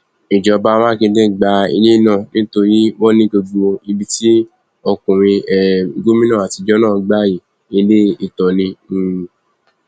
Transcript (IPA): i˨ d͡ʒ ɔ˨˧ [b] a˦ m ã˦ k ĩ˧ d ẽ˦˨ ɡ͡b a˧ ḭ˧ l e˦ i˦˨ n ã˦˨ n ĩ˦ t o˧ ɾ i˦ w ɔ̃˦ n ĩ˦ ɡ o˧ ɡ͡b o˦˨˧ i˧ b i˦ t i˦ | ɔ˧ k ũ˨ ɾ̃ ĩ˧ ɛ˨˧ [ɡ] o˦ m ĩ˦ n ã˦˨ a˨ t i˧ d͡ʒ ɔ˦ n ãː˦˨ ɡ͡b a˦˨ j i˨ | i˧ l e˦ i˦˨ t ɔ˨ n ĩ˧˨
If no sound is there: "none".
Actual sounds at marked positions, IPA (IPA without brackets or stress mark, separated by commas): b, ɡ